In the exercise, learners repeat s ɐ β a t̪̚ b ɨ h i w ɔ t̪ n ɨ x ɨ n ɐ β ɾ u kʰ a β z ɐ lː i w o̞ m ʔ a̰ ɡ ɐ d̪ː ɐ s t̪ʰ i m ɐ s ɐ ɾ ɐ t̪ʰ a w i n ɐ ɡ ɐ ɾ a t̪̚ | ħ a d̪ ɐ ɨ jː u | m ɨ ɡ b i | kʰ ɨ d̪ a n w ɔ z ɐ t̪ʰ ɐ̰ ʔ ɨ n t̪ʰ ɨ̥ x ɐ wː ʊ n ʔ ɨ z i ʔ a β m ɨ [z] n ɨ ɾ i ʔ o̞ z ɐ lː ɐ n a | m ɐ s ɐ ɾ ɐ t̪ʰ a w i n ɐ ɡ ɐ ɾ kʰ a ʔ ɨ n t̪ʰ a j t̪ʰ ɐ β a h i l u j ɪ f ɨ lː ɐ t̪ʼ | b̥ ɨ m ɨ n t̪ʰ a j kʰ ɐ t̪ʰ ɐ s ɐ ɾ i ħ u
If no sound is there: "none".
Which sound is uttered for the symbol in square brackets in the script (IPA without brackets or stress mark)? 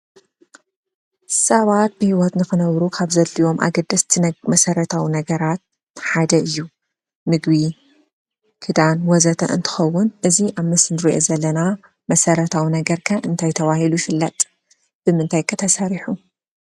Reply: s